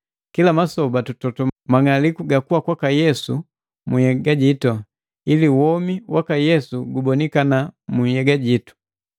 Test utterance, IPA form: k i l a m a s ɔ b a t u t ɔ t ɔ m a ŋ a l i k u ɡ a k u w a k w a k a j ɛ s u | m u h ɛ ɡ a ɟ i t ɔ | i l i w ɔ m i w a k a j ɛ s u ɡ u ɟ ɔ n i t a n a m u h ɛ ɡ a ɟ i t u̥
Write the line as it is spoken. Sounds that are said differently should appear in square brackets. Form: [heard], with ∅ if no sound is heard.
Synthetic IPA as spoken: k i l a m a s ɔ b a t u t ɔ t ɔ m a ŋ a l i k u ɡ a k u w a k w a k a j ɛ s u | m u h ɛ ɡ a ɟ i t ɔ | i l i w ɔ m i w a k a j ɛ s u ɡ u [b] ɔ n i [k] a n a m u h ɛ ɡ a ɟ i t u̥